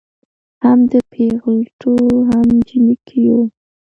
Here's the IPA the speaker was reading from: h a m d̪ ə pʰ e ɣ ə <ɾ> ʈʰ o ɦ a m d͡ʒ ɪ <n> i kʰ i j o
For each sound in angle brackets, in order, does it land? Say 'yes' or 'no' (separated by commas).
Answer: no, yes